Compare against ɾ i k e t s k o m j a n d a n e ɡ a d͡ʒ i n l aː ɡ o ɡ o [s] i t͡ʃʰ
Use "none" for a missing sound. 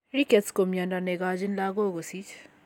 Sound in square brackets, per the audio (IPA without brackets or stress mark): s